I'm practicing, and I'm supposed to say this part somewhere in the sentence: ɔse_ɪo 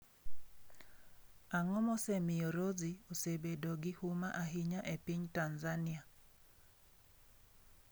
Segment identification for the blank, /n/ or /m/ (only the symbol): m